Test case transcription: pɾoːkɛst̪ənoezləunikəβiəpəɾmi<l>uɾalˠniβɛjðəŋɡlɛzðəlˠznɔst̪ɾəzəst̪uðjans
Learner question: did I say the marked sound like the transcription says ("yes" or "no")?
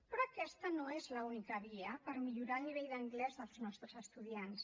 no